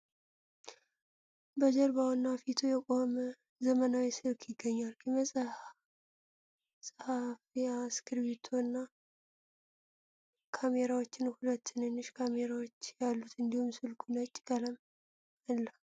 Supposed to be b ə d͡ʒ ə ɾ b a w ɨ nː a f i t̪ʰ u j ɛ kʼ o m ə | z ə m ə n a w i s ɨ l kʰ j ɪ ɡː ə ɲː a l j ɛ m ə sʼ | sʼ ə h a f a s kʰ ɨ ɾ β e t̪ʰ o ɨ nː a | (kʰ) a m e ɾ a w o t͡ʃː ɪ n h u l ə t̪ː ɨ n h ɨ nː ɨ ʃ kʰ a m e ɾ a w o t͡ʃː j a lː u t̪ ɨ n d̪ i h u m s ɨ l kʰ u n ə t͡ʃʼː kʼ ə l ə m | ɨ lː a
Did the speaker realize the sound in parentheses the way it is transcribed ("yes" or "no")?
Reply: yes